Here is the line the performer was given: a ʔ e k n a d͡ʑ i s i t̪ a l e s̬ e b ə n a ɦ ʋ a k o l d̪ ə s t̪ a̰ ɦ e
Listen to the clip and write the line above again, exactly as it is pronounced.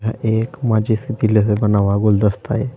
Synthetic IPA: a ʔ e k m a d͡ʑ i s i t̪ i l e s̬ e b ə n a ʋ a ɡ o l d̪ ə s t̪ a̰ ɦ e